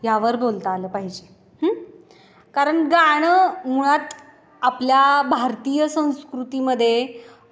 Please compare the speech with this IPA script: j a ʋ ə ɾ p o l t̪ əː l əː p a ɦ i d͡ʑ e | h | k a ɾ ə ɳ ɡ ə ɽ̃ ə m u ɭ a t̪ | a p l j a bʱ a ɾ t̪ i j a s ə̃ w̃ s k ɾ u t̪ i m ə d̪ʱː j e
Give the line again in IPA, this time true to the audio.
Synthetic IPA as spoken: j a ʋ ə ɾ b o l t̪ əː l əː p a ɦ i d͡ʑ e | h | k a ɾ ə ɳ ɡ a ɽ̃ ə m u ɭ a t̪ | a p l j a bʱ a ɾ t̪ i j ə s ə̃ w̃ s k ɾ u t̪ i m ə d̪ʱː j e